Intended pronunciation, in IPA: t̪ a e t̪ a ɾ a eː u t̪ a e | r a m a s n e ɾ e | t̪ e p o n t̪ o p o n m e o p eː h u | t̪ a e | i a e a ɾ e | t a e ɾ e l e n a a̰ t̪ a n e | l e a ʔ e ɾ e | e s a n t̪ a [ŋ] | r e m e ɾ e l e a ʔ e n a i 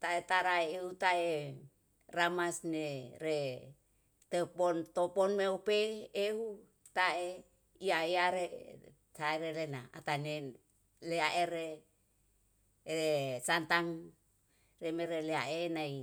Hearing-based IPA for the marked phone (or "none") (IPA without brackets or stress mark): ŋ